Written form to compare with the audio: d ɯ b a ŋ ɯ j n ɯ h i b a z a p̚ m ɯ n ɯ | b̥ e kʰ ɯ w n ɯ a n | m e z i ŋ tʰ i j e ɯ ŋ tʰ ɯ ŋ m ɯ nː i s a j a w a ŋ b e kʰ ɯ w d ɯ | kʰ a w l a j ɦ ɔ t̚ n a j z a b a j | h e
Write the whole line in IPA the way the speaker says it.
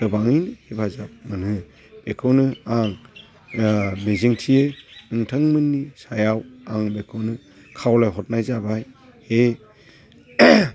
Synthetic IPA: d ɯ b a ŋ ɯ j n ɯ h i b a z a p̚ m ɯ n ɯ | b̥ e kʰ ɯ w n ɯ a ŋ | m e z i ŋ tʰ i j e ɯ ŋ tʰ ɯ ŋ m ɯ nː i s a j a w a ŋ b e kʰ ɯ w n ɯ | kʰ a w l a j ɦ ɔ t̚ n a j z a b a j | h e